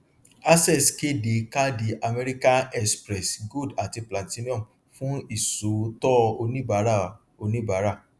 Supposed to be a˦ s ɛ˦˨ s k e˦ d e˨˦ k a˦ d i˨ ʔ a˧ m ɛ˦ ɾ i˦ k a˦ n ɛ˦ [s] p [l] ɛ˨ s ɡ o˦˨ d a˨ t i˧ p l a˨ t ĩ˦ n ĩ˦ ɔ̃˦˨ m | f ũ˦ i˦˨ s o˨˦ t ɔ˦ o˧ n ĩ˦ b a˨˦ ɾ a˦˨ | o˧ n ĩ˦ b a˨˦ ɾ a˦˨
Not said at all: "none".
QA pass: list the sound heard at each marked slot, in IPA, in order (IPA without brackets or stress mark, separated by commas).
s, ɾ